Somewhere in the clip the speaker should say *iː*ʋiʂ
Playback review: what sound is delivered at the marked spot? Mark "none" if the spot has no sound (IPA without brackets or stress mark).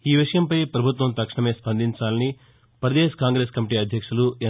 iː